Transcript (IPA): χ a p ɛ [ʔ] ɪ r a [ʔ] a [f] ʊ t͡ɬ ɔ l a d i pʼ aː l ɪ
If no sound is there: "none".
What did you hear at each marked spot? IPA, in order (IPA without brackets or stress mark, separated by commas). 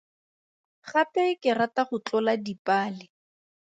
k, t, χ